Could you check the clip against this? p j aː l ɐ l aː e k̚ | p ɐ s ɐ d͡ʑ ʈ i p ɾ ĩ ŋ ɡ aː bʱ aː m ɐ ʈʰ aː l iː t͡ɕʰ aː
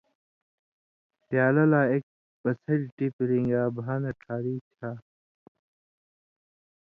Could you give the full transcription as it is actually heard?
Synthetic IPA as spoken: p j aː l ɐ l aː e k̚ | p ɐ s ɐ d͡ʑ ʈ i p ɾ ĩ ŋ ɡ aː bʱ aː n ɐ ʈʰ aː ɾ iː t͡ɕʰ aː

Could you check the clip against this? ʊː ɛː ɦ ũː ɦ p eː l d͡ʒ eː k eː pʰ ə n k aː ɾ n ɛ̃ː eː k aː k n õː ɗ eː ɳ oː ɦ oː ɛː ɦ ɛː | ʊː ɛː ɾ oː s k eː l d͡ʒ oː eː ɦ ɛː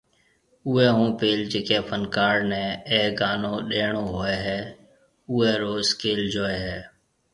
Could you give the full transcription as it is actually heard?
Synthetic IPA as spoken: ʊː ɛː ɦ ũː p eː l d͡ʒ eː k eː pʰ ə n k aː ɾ n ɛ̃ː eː ɡ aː n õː ɗ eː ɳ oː ɦ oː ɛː ɦ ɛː | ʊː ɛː ɾ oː s k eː l d͡ʒ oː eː ɦ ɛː

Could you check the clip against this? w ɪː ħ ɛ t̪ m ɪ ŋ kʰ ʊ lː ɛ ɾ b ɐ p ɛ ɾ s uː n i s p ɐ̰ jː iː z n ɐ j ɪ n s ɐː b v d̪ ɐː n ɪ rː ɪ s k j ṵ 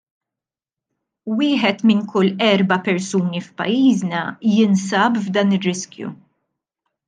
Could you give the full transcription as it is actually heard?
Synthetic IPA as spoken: w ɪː ħ ɛ t̪ m ɪ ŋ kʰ ʊ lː ɛ ɾ b ɐ p ɛ ɾ s uː n i f p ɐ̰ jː iː z n ɐ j ɪ n s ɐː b v d̪ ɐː n ɪ rː ɪ s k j ṵ

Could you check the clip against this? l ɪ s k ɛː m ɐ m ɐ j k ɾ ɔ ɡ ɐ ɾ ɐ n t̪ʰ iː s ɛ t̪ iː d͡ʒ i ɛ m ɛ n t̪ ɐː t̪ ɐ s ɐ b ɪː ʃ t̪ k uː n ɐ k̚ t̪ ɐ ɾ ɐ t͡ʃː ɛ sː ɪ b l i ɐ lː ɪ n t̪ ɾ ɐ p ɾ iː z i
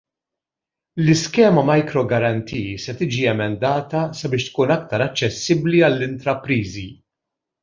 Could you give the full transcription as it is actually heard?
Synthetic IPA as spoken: l ɪ s k ɛː m ɐ m ɐ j k ɾ ɔ ɡ ɐ ɾ ɐ n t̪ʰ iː s ɛ t̪ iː d͡ʒ i ɛ m ɛ n d̪ ɐː t̪ ɐ s ɐ b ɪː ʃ t̪ k uː n ɐ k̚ t̪ ɐ ɾ ɐ t͡ʃː ɛ sː ɪ b l i ɐ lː ɪ n t̪ ɾ ɐ p ɾ iː z i

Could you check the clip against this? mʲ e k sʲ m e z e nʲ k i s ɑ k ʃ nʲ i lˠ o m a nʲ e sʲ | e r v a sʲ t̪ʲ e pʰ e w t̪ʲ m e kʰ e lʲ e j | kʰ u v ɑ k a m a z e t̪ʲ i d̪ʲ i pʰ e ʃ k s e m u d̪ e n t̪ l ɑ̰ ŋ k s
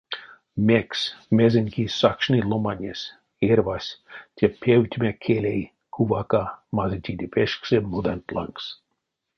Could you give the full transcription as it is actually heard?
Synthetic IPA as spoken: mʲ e k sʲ m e z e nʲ k i s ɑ k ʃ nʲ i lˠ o m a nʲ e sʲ | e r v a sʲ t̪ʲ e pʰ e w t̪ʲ m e kʰ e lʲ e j | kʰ u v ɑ k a m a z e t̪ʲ i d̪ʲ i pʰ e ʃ k s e m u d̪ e n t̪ l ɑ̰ ŋ k s

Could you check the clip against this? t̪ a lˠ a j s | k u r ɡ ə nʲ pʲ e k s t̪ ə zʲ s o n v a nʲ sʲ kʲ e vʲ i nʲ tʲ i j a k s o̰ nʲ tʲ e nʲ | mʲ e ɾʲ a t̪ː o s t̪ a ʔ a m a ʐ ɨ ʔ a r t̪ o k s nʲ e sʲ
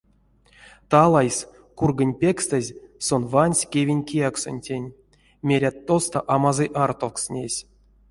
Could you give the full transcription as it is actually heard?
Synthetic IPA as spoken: t̪ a lˠ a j s | k u r ɡ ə nʲ pʲ e k s t̪ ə zʲ s o n v a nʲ sʲ kʲ e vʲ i nʲ kʲ i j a k s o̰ nʲ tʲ e nʲ | mʲ e ɾʲ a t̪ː o s t̪ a ʔ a m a z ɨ ʔ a r t̪ o k s nʲ e sʲ

